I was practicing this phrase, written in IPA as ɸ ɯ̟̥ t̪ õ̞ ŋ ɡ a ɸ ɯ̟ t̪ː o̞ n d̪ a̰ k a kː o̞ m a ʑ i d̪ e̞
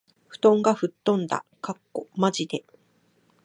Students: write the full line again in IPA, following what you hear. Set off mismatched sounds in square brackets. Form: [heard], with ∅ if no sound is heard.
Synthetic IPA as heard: ɸ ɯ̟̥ t̪ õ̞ ŋ ɡ a ɸ ɯ̟ t̪ː [õ̞] n d̪ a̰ k a kː o̞ m a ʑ i d̪ e̞

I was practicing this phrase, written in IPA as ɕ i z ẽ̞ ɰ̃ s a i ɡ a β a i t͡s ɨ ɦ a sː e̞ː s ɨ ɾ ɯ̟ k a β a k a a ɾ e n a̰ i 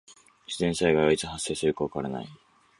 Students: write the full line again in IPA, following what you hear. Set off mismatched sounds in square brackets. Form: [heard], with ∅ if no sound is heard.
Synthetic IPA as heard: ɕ i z ẽ̞ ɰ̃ s a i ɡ a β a i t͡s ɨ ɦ a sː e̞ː s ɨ ɾ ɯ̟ k a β a k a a ɾ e n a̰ i

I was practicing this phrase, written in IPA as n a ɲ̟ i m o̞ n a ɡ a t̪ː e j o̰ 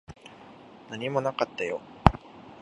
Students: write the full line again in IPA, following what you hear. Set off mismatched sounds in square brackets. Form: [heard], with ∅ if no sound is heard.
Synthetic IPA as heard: n a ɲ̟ i m o̞ n a [k] a t̪ː [a] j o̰

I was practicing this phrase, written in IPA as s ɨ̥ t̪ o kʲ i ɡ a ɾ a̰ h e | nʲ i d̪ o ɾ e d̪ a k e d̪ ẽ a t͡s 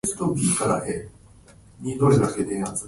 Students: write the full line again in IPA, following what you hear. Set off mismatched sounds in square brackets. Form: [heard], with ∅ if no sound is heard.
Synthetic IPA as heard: s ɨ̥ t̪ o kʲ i [k] a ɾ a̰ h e | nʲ i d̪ o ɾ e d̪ a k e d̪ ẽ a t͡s

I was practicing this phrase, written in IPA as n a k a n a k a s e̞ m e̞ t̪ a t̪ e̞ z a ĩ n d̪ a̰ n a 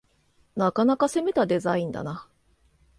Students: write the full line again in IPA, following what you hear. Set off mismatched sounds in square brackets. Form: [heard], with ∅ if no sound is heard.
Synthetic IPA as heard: n a k a n a k a s e̞ m e̞ t̪ a [d̪] e̞ z a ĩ n d̪ a̰ n a

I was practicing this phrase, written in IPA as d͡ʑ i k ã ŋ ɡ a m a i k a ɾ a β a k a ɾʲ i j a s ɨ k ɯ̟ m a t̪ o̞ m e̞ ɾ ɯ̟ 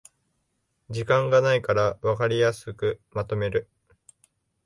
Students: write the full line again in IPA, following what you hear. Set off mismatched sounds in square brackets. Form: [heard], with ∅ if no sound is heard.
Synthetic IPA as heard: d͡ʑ i k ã ŋ ɡ a [n] a i k a ɾ a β a k a ɾʲ i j a s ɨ k ɯ̟ m a t̪ o̞ m e̞ ɾ ɯ̟

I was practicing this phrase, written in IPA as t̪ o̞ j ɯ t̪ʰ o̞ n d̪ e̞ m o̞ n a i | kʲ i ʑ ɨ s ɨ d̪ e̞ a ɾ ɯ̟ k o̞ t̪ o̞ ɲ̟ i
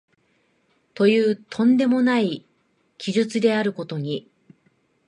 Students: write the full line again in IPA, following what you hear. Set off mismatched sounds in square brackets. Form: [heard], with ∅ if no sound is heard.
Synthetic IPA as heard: t̪ o̞ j [ɯː] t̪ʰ [õ̞] n d̪ e̞ m o̞ n a i | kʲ i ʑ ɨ [t͡s] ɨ d̪ e̞ a ɾ ɯ̟ k o̞ t̪ o̞ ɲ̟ i

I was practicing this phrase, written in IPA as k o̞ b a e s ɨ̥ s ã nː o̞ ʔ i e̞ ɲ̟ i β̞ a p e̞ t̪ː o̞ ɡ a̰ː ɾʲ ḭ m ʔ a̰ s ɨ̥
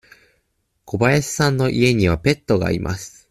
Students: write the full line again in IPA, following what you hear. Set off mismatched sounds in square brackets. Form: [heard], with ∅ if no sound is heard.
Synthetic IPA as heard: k o̞ b a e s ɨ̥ s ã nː o̞ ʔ i e̞ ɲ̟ i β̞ a p e̞ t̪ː o̞ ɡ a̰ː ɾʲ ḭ m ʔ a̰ s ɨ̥

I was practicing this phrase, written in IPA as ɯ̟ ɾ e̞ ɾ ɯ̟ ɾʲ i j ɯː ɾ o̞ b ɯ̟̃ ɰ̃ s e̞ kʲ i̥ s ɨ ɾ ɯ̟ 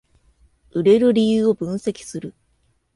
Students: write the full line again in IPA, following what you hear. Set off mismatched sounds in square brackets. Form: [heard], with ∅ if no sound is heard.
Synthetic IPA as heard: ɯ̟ ɾ e̞ ɾ ɯ̟ ɾʲ i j ɯː [∅] o̞ b ɯ̟̃ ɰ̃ s e̞ kʲ i̥ s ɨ ɾ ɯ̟

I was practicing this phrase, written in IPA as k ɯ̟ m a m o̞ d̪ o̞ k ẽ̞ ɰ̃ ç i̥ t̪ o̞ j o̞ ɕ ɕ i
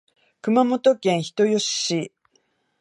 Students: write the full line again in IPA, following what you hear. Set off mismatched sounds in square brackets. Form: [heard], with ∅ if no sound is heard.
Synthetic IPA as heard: k ɯ̟ m a m o̞ [t̪] o̞ k ẽ̞ ɰ̃ ç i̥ t̪ o̞ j o̞ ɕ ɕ i

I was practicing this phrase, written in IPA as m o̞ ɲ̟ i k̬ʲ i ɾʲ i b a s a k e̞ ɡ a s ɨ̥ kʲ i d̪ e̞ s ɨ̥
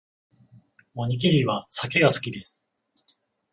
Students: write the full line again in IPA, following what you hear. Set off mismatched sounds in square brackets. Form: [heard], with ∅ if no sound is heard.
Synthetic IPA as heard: m o̞ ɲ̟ i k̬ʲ i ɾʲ i [β] a s a k e̞ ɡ a s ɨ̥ kʲ i d̪ e̞ s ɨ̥

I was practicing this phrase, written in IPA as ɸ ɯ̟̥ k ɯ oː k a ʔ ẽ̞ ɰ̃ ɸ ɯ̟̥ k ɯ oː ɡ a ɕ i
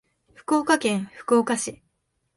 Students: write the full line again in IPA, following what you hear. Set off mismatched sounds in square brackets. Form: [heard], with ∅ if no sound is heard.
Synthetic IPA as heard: ɸ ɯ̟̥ k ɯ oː k a [k] ẽ̞ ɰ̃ ɸ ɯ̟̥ k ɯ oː [k] a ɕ i

